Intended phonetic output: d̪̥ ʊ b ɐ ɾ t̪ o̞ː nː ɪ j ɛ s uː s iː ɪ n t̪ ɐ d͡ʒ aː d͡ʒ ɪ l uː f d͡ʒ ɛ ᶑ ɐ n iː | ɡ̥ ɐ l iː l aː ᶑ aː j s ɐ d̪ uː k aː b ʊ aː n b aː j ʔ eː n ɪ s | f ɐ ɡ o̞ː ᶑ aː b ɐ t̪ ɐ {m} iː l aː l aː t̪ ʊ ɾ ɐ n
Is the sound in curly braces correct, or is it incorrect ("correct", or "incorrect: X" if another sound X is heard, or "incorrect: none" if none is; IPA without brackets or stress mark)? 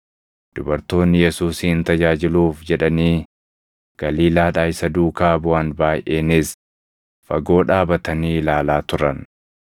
incorrect: n